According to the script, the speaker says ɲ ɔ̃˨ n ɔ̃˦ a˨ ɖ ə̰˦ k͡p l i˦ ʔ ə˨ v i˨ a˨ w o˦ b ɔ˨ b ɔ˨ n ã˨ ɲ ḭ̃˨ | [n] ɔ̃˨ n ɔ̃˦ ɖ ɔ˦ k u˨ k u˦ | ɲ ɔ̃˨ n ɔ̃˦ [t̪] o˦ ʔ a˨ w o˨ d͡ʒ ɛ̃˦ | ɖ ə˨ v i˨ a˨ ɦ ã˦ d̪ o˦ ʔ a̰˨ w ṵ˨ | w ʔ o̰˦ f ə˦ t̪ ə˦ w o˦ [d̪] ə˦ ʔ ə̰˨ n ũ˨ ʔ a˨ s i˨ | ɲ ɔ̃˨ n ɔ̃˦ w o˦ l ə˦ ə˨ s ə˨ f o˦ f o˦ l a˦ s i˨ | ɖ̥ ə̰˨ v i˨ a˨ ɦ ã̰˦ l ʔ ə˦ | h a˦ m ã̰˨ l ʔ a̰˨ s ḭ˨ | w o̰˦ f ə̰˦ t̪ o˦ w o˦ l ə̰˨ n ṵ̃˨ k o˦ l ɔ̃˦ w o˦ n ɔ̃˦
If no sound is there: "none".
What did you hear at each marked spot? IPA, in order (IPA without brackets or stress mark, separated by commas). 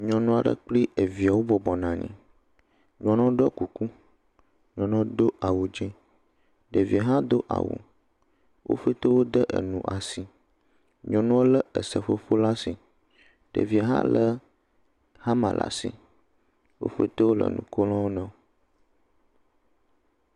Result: ɲ, d̪, d̪